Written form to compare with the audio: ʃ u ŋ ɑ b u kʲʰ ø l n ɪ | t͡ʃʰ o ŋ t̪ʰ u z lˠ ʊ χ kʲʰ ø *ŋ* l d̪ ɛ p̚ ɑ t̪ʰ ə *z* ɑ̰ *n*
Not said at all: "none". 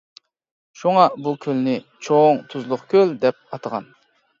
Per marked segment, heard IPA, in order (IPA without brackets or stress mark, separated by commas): none, ʁ, n